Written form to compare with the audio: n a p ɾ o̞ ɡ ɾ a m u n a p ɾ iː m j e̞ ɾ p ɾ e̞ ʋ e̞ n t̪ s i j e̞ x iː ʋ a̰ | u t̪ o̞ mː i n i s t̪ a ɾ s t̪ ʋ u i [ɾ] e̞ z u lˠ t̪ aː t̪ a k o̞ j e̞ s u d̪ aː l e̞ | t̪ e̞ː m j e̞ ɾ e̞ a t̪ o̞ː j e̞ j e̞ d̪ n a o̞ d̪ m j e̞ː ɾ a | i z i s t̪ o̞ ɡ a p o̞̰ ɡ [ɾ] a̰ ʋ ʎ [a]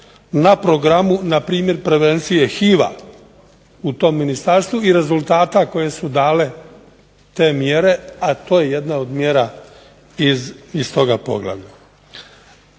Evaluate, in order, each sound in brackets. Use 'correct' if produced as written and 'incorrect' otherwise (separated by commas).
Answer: correct, incorrect, correct